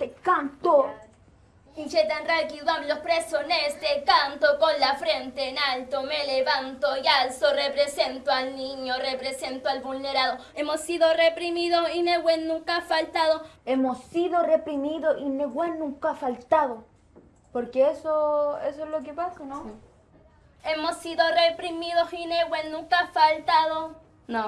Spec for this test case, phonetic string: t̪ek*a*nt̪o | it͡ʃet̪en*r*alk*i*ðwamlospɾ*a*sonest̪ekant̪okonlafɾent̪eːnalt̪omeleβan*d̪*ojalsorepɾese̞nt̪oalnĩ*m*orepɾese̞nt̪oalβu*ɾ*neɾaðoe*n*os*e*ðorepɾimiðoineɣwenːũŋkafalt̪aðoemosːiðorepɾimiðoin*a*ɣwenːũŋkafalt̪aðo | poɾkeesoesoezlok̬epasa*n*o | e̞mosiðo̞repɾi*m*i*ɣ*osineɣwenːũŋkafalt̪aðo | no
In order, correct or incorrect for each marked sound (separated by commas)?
correct, correct, correct, incorrect, incorrect, incorrect, incorrect, incorrect, incorrect, incorrect, correct, correct, incorrect